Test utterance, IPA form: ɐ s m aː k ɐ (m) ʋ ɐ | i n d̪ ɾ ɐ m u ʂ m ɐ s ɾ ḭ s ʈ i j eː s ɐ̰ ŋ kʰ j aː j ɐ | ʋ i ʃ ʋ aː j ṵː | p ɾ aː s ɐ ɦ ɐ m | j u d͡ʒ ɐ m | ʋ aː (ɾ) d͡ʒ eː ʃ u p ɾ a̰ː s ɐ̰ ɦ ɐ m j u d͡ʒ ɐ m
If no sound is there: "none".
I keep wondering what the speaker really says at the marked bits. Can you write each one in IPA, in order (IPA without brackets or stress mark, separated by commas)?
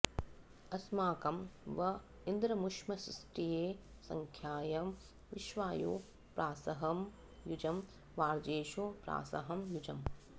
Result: m, ɾ